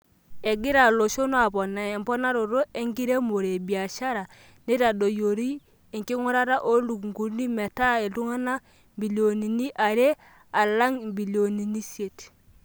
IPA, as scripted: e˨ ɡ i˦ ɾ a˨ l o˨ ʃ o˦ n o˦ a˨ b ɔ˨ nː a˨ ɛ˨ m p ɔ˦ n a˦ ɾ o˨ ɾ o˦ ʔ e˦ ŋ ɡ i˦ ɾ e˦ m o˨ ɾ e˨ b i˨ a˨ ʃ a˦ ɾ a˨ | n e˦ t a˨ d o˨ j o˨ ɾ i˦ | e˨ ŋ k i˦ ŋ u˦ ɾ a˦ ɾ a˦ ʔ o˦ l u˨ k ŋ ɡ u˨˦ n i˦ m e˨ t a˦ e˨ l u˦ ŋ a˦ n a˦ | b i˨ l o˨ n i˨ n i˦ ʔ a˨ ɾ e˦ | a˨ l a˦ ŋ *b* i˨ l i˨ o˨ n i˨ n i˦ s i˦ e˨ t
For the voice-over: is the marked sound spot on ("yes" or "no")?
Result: yes